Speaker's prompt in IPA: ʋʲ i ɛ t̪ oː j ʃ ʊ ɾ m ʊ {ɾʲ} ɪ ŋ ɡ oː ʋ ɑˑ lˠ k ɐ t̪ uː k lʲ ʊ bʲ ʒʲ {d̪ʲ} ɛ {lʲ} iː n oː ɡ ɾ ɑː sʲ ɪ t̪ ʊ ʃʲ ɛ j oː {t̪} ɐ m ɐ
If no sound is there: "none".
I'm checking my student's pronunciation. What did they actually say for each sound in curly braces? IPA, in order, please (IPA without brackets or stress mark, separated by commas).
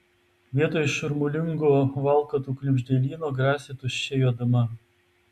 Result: lʲ, d̪ʲ, lʲ, d̪